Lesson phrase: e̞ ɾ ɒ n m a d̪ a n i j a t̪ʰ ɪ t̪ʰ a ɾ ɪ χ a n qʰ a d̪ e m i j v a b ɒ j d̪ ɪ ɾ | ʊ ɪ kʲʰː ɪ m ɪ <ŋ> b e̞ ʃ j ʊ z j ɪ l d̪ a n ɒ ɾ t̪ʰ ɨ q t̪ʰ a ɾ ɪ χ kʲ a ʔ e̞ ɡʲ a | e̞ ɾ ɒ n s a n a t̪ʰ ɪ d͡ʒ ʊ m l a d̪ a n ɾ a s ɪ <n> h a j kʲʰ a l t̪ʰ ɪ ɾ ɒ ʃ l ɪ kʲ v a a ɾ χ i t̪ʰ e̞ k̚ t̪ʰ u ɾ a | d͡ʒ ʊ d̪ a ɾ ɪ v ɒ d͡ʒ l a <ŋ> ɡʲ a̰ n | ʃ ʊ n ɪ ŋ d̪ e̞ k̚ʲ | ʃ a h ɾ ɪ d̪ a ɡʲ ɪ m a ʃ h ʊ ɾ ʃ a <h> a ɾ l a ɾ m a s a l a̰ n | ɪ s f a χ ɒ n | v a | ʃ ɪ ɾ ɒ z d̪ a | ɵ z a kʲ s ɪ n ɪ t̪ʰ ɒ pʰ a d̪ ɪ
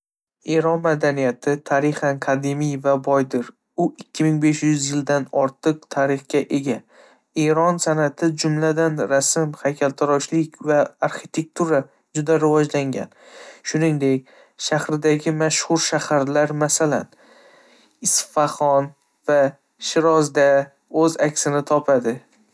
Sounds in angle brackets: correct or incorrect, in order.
correct, incorrect: m, correct, correct

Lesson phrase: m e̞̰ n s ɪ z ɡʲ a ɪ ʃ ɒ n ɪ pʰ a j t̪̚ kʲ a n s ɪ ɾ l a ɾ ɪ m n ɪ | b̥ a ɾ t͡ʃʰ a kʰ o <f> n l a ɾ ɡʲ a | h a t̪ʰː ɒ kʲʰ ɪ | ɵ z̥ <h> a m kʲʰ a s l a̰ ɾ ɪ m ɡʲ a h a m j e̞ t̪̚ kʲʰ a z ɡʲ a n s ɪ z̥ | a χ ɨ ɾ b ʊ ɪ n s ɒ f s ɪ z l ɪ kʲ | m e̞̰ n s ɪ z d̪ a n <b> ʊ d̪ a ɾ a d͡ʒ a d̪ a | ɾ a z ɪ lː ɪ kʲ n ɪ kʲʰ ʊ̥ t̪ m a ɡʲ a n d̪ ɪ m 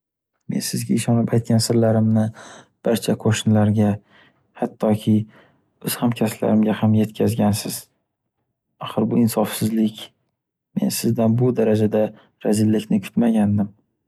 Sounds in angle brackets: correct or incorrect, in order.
incorrect: ʃ, correct, correct

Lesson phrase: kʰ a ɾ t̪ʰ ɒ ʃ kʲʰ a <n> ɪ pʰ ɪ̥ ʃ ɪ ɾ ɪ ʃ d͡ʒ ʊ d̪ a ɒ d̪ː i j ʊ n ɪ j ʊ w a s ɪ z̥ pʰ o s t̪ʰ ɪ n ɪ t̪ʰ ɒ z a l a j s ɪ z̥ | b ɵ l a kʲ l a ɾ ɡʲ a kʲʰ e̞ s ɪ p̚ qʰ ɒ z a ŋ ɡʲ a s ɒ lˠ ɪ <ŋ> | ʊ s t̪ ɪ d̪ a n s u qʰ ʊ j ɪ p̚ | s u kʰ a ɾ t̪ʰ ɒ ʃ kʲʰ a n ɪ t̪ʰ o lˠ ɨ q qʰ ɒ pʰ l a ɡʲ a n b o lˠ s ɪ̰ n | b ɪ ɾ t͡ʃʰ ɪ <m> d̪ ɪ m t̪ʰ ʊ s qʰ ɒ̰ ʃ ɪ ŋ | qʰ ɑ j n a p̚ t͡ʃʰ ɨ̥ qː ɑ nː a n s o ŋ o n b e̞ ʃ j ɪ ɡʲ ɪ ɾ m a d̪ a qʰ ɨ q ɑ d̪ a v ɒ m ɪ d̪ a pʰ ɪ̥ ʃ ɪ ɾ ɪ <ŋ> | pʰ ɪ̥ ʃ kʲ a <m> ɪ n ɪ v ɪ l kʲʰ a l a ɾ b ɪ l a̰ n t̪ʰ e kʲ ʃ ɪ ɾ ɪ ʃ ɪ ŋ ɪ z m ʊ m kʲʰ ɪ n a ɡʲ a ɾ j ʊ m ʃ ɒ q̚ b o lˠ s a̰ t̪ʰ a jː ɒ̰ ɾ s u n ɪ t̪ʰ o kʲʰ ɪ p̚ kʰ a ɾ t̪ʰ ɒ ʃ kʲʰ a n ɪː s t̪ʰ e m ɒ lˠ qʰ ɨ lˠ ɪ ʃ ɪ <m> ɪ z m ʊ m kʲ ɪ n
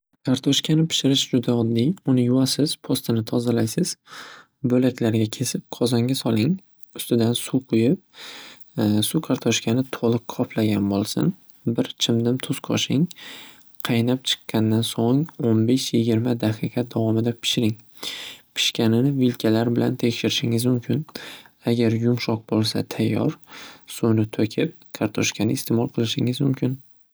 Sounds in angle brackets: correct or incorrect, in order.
correct, correct, correct, correct, incorrect: n, incorrect: ŋ

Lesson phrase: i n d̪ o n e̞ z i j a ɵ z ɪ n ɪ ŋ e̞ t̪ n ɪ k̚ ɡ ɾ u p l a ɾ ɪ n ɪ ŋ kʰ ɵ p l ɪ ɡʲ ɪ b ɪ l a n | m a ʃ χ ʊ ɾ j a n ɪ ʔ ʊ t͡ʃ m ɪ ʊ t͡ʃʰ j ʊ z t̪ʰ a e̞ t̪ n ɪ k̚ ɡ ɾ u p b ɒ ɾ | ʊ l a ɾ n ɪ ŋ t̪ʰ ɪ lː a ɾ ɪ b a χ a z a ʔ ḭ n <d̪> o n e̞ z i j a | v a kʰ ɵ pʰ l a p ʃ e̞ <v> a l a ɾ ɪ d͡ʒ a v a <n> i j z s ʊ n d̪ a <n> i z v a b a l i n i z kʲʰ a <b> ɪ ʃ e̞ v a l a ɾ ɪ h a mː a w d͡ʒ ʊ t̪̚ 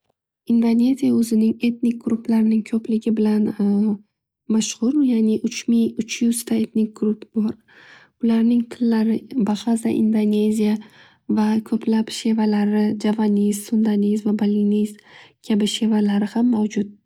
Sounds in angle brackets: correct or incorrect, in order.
correct, correct, correct, correct, correct

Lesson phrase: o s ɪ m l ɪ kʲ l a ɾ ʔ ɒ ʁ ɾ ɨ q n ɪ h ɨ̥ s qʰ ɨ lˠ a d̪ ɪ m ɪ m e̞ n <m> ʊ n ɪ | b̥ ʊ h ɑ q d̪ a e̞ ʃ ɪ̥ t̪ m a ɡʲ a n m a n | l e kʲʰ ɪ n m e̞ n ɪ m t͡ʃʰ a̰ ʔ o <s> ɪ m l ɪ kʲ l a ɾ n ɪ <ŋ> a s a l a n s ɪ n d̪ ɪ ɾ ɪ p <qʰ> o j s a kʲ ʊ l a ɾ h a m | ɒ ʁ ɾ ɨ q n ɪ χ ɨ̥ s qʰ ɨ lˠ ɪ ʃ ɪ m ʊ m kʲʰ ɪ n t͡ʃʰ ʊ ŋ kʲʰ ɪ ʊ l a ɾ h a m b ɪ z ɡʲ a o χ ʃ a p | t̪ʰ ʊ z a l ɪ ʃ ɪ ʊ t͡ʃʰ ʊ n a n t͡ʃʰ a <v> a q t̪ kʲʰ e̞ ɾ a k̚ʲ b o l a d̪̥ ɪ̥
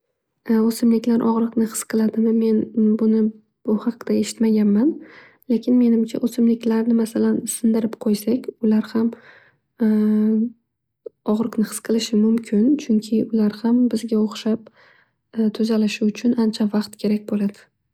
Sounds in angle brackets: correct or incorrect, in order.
incorrect: b, correct, incorrect: m, correct, correct

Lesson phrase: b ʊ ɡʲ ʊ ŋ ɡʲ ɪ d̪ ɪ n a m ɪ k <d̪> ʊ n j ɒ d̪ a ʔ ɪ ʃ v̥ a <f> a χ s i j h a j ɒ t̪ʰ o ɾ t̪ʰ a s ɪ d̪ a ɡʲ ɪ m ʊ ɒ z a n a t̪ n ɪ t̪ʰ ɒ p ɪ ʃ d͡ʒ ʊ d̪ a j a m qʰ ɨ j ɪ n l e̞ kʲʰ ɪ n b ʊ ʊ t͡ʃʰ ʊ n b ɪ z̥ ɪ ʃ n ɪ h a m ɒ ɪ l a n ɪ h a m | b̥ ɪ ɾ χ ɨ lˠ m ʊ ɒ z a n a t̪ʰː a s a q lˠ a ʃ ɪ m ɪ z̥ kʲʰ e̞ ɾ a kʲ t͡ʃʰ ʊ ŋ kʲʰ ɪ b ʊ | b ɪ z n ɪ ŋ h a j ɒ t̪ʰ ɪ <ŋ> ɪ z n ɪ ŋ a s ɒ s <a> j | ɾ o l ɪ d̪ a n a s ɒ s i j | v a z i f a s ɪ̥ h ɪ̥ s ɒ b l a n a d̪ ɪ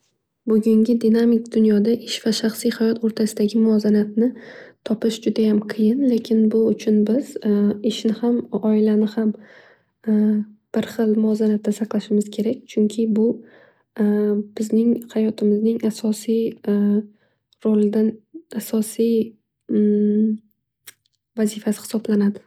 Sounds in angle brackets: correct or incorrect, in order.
correct, incorrect: ʃ, incorrect: m, incorrect: i

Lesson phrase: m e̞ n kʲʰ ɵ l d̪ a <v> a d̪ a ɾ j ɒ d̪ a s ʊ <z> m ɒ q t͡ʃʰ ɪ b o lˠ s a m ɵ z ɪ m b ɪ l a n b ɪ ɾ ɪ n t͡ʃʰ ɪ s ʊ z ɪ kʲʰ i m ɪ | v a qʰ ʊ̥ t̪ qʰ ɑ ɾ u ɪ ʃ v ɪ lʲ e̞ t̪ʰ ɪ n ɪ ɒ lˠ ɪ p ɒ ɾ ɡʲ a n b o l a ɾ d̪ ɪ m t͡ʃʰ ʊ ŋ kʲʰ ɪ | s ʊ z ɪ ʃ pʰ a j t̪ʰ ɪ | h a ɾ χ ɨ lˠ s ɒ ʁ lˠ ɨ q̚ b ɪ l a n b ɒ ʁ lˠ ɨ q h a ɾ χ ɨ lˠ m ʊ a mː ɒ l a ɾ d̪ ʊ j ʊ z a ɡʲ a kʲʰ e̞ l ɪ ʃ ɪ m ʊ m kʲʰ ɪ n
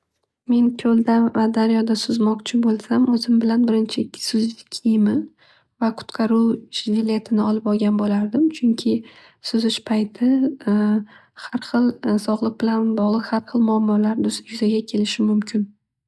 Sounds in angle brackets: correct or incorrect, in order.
correct, correct

